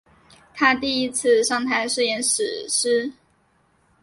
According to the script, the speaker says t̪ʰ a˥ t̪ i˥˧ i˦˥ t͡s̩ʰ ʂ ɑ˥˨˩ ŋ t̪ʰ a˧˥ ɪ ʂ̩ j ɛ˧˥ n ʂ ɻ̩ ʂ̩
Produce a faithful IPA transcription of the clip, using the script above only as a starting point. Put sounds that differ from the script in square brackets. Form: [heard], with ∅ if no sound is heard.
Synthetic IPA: t̪ʰ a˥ t̪ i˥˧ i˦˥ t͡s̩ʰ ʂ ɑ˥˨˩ ŋ t̪ʰ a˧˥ ɪ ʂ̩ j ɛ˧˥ n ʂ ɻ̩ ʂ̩